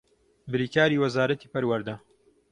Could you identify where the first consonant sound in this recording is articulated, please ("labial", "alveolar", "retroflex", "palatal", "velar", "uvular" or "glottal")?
labial